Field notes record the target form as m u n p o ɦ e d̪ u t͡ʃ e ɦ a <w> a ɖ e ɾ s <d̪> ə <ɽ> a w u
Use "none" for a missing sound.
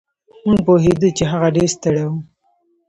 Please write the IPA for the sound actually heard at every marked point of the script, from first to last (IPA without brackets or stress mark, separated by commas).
ɣ, t̪, ɽ